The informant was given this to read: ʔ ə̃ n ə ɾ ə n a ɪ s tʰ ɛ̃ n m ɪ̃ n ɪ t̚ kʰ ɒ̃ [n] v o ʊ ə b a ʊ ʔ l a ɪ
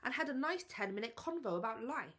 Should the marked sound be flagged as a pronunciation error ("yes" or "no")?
no